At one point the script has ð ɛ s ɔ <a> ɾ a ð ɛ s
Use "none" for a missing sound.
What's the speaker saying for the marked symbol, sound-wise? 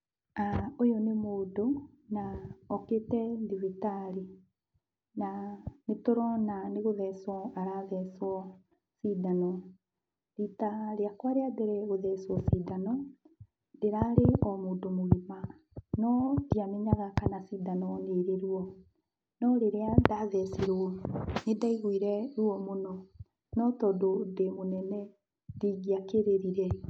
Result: a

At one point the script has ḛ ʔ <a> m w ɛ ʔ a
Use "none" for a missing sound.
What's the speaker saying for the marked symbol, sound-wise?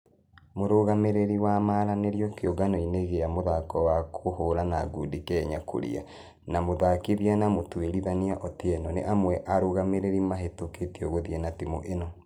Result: a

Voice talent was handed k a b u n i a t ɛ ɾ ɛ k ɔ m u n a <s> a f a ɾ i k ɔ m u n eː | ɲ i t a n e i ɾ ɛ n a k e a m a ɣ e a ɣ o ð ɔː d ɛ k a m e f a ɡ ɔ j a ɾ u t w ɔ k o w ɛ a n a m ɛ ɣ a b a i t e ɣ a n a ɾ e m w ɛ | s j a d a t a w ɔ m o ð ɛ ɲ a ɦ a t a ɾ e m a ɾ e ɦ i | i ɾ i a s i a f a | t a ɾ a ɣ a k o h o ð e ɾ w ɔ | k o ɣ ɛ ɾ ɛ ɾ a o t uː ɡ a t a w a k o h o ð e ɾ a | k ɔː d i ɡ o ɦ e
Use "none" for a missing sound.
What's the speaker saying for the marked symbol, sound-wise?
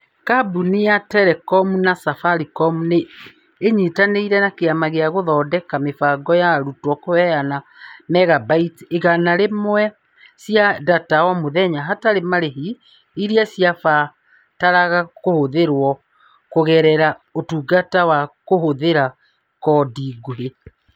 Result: s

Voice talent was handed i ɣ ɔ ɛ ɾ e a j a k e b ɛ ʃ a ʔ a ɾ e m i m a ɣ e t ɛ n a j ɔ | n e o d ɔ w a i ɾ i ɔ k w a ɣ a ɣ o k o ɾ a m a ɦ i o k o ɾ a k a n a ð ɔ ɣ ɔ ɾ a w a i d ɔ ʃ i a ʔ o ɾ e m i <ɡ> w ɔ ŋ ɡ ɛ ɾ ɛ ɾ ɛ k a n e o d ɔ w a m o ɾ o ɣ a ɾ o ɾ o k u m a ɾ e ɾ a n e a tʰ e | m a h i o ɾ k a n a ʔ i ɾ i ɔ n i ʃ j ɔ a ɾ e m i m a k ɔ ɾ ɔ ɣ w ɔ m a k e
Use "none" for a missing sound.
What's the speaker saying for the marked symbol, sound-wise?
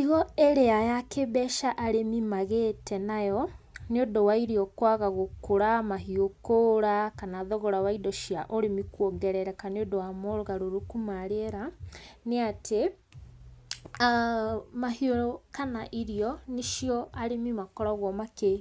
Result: k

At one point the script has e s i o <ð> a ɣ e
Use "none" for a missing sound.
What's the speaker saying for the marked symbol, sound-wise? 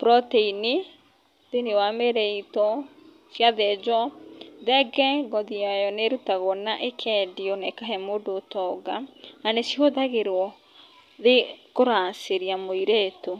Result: ð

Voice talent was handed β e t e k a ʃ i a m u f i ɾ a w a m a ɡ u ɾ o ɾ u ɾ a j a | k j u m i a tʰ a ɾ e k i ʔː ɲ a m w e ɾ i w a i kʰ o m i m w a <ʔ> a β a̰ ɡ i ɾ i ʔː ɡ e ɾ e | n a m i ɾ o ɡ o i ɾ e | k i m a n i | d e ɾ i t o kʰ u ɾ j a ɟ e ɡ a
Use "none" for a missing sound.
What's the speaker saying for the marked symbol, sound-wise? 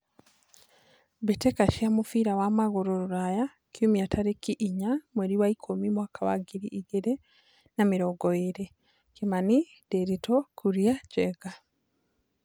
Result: k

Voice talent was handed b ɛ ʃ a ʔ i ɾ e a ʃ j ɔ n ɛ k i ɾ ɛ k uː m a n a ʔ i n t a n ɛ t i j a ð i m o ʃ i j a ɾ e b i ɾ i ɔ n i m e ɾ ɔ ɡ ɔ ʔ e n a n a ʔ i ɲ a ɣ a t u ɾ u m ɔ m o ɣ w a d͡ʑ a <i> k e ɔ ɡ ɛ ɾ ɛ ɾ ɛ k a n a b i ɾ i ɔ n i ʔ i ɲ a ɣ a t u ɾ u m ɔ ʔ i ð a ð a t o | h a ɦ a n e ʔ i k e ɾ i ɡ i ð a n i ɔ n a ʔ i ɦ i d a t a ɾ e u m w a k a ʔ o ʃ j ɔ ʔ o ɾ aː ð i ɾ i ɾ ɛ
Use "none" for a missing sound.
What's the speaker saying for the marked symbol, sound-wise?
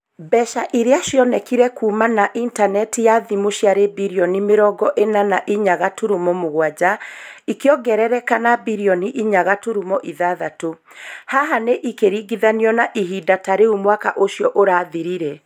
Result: i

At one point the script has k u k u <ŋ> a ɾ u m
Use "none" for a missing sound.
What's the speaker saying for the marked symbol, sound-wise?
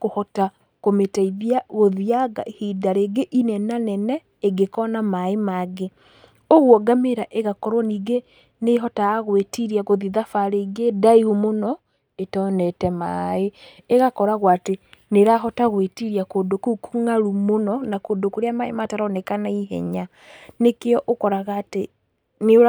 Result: ŋ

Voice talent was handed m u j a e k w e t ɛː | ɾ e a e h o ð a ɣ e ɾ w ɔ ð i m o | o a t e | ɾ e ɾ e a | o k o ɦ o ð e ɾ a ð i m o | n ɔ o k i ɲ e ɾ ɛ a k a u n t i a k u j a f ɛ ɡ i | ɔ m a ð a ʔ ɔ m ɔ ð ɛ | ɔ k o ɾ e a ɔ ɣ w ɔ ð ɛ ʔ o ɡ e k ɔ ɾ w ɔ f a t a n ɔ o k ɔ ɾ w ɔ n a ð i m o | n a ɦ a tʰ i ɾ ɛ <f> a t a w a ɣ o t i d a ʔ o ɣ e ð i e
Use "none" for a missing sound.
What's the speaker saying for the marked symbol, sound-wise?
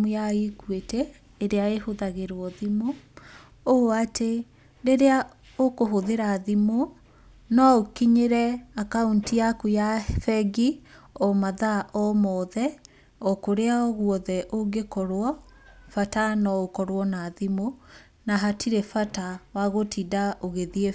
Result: f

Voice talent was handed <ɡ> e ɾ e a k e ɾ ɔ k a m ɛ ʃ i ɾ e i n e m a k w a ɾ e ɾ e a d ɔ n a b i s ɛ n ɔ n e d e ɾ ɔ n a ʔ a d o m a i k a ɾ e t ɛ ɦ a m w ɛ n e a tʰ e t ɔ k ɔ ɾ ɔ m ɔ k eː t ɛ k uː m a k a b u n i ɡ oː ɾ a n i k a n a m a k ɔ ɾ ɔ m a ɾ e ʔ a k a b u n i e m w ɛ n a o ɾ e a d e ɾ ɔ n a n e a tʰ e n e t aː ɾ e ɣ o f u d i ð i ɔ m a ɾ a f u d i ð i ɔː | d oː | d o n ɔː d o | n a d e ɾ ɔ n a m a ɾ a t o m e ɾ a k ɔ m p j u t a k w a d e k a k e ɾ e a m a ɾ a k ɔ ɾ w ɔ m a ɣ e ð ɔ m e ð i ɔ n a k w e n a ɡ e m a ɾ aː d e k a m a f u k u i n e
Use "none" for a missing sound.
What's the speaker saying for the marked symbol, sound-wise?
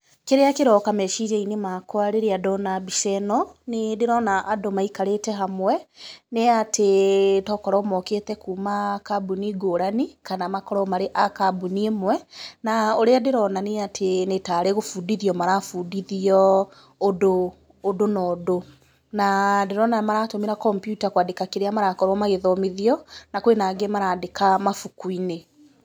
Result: k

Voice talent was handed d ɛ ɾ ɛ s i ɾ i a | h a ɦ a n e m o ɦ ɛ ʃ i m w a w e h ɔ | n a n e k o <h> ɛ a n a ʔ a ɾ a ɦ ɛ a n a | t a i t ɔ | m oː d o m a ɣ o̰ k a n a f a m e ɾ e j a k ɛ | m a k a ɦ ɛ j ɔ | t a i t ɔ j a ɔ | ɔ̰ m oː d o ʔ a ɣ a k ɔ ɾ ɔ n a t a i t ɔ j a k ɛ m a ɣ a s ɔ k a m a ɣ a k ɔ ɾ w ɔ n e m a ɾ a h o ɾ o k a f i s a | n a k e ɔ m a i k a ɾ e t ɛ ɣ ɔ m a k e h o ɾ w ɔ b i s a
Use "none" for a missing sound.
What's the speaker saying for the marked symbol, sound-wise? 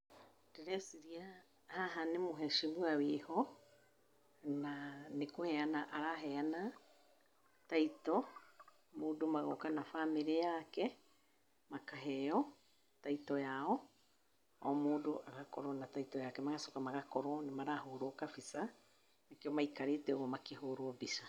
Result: h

